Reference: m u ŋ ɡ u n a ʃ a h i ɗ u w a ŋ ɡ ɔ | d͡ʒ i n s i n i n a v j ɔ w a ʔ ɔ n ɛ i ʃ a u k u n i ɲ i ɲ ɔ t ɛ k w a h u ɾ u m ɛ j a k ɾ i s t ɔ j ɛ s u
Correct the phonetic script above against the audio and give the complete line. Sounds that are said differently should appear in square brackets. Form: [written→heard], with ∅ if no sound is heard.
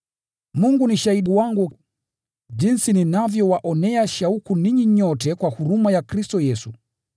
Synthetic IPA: m u ŋ ɡ u n [a→i] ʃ a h i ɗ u w a ŋ ɡ [ɔ→u] | d͡ʒ i n s i n i n a v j ɔ w a ʔ ɔ n ɛ [i→a] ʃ a u k u n i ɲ i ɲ ɔ t ɛ k w a h u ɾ u m [ɛ→a] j a k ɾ i s t ɔ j ɛ s u